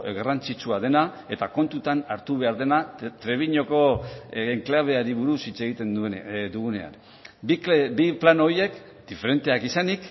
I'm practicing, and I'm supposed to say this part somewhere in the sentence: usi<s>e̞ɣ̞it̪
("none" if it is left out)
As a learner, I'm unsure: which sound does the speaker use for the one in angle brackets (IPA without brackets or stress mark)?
t͡s